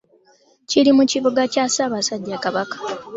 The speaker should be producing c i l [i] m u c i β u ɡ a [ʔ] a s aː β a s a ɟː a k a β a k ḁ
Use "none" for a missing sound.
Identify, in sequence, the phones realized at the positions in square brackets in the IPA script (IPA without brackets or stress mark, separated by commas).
i, c